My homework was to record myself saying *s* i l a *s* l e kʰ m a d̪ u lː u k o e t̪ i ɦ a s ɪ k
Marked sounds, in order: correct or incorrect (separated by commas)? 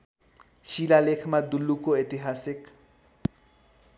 incorrect, incorrect